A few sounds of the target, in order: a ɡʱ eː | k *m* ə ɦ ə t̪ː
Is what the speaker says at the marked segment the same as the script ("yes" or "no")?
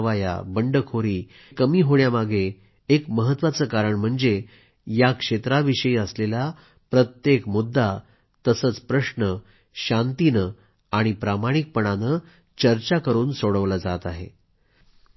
yes